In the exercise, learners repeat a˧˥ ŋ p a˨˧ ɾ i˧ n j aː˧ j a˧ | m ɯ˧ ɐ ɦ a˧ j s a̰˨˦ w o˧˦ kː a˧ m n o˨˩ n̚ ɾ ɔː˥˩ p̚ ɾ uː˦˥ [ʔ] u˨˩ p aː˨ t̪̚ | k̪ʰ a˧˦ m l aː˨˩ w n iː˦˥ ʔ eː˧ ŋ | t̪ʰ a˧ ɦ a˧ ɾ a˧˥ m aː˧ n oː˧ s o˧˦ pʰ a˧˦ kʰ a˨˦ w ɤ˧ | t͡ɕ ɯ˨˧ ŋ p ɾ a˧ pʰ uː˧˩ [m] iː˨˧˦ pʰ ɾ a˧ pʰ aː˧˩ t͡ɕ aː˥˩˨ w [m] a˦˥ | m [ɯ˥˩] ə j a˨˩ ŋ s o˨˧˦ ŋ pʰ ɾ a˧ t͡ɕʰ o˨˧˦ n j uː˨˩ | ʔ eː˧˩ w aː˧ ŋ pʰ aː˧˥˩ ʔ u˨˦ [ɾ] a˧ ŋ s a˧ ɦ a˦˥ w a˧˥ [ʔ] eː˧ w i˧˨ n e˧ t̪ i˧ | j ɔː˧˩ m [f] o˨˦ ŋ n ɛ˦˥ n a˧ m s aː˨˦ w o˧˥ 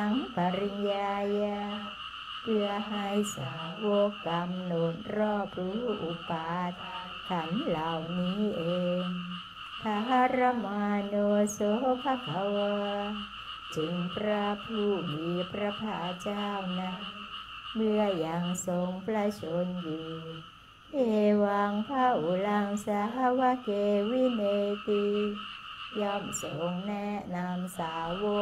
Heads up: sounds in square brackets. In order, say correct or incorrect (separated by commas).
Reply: correct, correct, incorrect, incorrect, incorrect, incorrect, incorrect